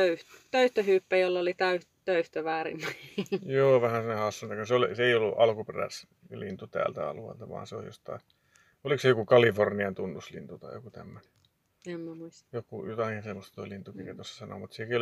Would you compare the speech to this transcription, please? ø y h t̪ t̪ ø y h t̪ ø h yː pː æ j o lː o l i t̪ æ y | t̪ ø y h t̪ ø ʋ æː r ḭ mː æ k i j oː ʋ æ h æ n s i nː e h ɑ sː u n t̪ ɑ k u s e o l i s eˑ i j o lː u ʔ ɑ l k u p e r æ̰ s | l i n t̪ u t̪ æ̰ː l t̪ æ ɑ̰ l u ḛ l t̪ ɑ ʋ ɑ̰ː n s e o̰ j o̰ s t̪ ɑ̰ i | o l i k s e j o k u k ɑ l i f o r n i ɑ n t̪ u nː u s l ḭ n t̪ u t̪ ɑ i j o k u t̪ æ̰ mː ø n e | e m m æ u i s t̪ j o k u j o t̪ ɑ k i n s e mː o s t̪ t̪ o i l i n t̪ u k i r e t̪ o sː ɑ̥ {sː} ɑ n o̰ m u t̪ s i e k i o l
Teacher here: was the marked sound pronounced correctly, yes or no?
no